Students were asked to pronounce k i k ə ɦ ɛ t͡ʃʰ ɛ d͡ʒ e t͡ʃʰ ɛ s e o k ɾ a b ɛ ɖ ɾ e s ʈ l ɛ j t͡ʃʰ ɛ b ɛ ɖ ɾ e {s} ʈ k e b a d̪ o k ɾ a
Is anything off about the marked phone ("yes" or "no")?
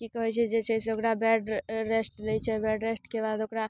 no